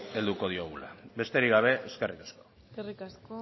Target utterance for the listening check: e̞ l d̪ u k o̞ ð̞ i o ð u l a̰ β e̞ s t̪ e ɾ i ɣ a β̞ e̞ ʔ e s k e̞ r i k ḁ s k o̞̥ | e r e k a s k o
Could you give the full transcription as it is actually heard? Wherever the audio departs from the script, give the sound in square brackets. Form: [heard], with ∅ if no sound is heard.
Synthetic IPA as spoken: e̞ l d̪ u k o̞ ð̞ i o [ɣ] u l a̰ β e̞ s t̪ e ɾ i ɣ a β̞ e̞ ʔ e s k e̞ r i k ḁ s k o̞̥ | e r [i] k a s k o